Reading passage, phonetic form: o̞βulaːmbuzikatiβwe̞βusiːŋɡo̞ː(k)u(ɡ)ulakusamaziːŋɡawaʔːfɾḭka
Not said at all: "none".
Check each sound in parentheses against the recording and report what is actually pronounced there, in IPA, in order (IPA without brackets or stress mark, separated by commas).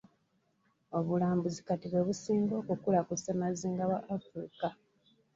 k, k